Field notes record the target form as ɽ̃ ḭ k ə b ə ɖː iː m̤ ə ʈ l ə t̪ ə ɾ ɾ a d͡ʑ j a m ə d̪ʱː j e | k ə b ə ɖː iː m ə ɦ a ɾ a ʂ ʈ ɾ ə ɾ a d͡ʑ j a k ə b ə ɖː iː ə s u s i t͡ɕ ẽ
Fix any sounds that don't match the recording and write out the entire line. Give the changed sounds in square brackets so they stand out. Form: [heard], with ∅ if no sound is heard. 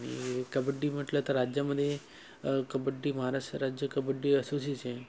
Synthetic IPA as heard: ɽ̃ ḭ k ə b ə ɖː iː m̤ ə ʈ l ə t̪ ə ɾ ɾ a d͡ʑ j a m ə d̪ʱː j e | k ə b ə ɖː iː m ə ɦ a ɾ a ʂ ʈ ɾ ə ɾ a d͡ʑ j [ə] k ə b ə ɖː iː ə s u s i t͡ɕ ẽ